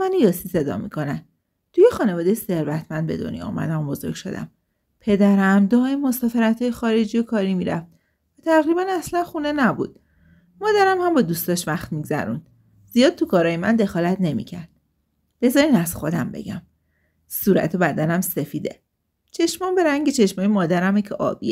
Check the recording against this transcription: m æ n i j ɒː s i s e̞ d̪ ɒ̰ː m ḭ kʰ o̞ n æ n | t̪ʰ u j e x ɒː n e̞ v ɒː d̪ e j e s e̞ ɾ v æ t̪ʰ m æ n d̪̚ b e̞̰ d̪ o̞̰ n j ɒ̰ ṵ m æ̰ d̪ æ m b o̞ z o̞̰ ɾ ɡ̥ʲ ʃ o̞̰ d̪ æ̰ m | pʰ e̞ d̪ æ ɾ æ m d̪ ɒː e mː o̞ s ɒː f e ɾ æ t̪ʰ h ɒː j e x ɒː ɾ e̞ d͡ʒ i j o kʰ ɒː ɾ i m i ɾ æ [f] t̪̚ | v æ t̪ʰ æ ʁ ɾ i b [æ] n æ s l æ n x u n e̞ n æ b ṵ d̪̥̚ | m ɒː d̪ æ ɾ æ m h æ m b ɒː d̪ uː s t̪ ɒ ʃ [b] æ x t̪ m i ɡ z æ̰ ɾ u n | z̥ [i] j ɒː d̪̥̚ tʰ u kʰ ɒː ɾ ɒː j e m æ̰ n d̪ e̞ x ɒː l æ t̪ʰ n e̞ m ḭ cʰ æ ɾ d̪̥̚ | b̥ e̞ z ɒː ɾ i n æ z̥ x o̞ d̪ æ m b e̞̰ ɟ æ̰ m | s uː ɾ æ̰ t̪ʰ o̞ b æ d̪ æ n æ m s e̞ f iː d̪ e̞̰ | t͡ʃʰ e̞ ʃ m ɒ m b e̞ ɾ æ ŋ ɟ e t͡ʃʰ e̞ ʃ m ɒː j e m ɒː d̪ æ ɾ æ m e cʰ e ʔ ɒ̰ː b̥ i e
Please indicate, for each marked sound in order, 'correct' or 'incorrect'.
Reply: correct, correct, incorrect: v, correct

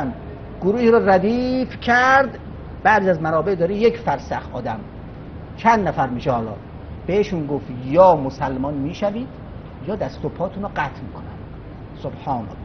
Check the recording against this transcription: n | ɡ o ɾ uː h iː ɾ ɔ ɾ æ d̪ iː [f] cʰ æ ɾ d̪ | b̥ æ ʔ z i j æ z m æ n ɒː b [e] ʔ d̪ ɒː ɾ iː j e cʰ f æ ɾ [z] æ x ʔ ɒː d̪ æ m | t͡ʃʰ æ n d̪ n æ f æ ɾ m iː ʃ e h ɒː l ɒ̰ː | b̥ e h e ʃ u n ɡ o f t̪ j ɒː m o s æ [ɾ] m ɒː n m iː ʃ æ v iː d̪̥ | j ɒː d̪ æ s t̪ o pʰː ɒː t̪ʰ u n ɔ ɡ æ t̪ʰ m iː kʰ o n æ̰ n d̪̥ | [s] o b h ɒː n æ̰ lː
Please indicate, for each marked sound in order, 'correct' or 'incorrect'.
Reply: correct, correct, incorrect: s, incorrect: l, correct

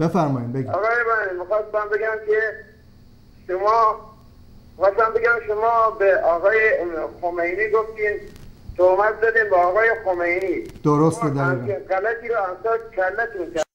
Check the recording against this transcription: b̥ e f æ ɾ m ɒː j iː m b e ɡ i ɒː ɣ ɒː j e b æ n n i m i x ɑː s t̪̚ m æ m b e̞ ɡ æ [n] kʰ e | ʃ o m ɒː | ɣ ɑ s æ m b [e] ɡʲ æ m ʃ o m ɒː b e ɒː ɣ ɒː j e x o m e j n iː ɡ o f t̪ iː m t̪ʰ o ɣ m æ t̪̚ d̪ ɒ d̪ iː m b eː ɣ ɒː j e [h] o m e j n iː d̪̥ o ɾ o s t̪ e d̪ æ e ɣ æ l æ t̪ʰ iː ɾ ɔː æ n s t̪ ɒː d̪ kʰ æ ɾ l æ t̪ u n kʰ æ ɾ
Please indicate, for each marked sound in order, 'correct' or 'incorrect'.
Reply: incorrect: m, correct, incorrect: x

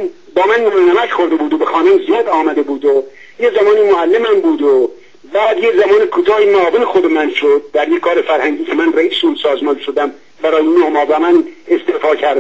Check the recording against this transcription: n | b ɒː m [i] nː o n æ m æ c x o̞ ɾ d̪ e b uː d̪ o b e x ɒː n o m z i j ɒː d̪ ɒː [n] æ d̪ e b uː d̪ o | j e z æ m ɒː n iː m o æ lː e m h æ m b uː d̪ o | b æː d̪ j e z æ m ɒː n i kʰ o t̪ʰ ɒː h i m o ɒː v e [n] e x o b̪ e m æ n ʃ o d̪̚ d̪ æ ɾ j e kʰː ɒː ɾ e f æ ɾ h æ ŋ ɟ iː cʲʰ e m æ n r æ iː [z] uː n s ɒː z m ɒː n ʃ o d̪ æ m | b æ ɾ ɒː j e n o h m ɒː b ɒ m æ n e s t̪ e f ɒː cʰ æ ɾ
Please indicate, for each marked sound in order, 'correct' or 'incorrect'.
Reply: incorrect: æ, incorrect: m, correct, incorrect: s

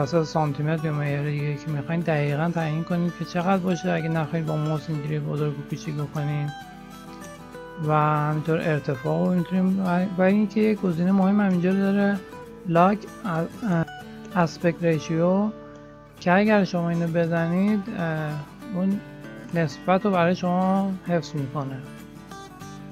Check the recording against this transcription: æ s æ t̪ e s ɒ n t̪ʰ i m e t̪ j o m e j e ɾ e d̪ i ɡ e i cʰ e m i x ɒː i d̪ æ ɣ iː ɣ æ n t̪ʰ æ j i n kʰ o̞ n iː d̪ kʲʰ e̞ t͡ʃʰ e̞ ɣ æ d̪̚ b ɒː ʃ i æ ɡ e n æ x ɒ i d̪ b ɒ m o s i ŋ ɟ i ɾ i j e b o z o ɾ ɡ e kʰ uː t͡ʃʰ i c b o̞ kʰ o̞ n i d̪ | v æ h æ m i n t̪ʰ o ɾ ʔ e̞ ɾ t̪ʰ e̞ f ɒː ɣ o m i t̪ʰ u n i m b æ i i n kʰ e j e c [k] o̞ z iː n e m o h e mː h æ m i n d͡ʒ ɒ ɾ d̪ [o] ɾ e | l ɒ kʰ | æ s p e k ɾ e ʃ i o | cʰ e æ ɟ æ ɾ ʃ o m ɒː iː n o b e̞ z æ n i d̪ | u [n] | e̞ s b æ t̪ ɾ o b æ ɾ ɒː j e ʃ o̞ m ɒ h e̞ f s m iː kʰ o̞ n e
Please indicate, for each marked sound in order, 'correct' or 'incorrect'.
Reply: incorrect: ɡ, incorrect: ɒ, incorrect: nː

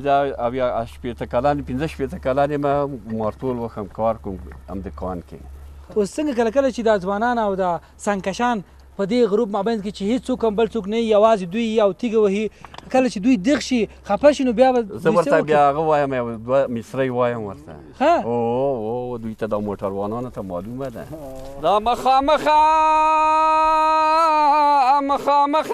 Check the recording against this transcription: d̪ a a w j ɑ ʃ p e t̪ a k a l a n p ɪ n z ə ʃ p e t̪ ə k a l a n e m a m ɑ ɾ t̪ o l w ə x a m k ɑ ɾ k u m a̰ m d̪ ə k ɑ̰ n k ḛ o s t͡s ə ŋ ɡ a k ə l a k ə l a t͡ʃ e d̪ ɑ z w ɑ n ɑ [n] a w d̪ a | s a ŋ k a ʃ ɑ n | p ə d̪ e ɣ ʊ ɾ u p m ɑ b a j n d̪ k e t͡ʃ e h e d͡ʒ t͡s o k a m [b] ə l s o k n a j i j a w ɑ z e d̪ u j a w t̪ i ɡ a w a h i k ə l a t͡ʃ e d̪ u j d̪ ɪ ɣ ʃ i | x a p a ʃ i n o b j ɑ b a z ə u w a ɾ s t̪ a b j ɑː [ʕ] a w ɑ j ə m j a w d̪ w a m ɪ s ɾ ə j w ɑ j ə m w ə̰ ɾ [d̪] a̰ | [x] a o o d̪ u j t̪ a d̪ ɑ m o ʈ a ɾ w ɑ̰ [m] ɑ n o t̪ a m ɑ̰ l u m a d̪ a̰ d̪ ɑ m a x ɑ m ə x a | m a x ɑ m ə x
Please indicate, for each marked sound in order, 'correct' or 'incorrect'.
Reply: correct, correct, incorrect: ɣ, incorrect: t̪, correct, incorrect: n

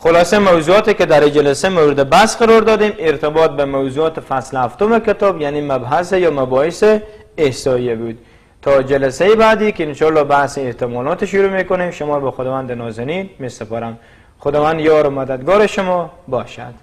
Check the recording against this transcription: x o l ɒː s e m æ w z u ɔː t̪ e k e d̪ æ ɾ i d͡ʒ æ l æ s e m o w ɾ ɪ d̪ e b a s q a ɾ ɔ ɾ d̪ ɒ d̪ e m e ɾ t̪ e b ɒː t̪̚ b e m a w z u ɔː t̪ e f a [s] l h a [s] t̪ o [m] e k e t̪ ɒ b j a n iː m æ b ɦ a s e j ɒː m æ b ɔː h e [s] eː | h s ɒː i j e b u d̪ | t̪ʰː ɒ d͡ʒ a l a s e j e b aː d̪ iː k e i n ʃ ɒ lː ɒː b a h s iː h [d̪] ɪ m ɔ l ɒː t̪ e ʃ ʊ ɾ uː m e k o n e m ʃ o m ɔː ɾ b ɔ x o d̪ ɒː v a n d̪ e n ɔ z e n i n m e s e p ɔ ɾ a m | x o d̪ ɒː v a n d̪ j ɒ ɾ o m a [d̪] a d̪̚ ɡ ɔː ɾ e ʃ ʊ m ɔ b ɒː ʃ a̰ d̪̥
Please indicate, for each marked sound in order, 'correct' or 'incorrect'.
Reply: correct, incorrect: f, correct, correct, incorrect: t̪, correct

